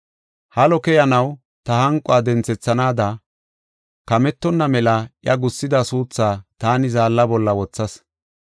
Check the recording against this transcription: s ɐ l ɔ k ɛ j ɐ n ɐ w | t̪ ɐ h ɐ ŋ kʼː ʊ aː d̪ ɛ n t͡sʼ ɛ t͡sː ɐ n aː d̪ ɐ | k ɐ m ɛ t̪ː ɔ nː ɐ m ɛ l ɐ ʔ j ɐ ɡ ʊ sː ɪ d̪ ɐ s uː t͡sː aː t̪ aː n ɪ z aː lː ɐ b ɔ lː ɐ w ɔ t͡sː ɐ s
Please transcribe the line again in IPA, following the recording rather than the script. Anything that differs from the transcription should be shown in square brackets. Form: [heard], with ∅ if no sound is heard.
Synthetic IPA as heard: [h] ɐ l ɔ k ɛ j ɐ n ɐ w | t̪ ɐ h ɐ ŋ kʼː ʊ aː d̪ ɛ n [t͡s] ɛ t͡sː ɐ n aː d̪ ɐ | k ɐ m ɛ t̪ː ɔ nː ɐ m ɛ l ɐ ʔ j ɐ ɡ ʊ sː ɪ d̪ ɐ s uː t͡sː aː t̪ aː n ɪ z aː lː ɐ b ɔ lː ɐ w ɔ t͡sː ɐ s